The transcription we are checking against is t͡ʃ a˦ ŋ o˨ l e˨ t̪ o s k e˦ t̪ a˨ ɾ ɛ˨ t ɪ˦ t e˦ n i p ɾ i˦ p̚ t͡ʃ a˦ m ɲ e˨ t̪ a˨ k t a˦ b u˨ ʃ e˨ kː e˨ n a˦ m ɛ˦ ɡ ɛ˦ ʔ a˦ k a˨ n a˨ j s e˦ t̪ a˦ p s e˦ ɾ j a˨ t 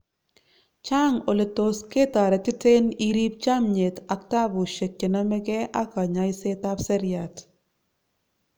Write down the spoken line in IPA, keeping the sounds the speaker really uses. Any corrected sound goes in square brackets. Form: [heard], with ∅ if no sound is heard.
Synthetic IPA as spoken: t͡ʃ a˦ ŋ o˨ l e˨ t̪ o s k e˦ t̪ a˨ ɾ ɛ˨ t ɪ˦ t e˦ n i [∅] ɾ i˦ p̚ t͡ʃ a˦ m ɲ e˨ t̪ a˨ k t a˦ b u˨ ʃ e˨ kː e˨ n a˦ m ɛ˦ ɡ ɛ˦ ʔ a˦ k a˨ [ɲ] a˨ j s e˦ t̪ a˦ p s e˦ ɾ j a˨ t